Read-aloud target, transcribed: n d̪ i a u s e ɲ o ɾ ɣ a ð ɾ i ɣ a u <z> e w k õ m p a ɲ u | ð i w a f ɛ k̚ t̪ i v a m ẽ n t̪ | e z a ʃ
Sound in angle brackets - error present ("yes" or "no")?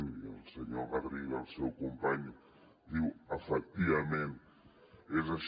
yes